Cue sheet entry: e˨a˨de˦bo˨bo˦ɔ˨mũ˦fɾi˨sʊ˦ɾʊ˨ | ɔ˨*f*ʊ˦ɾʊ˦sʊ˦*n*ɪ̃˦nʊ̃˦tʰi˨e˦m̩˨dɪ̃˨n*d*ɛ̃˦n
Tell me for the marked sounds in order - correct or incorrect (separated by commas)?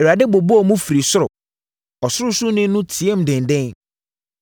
incorrect, correct, correct